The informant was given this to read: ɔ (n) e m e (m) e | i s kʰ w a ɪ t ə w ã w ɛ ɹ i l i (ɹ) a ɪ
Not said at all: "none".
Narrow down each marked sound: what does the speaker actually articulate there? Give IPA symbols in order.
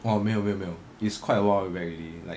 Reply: m, m, l

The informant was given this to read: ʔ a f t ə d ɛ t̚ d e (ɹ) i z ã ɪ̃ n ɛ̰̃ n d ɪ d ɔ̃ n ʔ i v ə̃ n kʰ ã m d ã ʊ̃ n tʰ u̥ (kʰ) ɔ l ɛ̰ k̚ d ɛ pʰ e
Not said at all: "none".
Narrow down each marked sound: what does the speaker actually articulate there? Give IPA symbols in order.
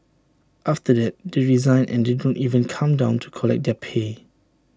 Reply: ɹ, kʰ

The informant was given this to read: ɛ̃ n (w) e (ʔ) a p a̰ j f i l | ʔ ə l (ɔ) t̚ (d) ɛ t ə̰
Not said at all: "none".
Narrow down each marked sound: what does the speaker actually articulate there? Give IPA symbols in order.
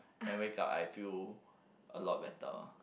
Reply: w, k, ɔ, b

